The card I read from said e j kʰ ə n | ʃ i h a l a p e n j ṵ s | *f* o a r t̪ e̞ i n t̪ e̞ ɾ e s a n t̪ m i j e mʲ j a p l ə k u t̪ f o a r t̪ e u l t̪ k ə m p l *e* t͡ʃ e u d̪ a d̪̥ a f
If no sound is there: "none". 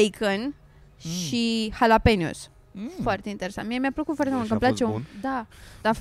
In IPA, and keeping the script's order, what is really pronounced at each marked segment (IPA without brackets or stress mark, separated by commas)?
f, a